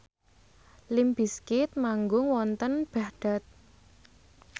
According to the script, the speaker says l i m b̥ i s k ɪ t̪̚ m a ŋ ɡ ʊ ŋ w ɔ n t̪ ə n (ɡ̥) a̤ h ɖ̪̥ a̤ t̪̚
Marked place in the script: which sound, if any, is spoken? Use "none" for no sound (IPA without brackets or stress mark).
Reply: b̥